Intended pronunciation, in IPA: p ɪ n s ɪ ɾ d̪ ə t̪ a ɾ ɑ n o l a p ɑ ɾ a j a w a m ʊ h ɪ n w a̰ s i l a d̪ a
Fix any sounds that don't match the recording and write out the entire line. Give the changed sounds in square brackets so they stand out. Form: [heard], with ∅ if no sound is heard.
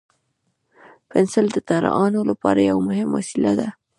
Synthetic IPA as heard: p ɪ n s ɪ [l] d̪ ə t̪ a ɾ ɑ n o l a p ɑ ɾ a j a w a m ʊ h ɪ [m] w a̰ s i l a d̪ a

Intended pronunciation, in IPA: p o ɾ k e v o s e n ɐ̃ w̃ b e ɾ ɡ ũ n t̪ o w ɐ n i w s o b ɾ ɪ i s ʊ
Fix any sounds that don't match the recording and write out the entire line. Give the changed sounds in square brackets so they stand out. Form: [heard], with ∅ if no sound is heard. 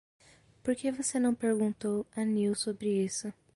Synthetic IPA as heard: p o ɾ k e v o s e n ɐ̃ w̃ [p] e ɾ ɡ ũ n t̪ o w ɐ n i w s o b ɾ ɪ i s ʊ

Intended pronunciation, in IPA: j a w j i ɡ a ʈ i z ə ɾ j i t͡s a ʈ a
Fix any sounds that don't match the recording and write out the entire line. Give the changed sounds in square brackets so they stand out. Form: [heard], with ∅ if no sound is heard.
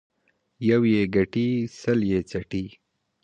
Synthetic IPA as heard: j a w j [e] ɡ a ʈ i [s] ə [l] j [e] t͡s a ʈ [i]

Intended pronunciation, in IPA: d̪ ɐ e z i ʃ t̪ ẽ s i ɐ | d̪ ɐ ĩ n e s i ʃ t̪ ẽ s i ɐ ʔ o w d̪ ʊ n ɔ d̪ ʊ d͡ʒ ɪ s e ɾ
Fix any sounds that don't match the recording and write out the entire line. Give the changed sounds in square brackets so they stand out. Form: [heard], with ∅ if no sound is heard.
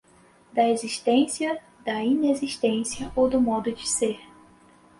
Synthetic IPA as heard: d̪ ɐ e z i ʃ t̪ ẽ s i ɐ | d̪ ɐ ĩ n e [z] i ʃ t̪ ẽ s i ɐ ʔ o w d̪ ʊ [m] ɔ d̪ ʊ d͡ʒ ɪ s e ɾ

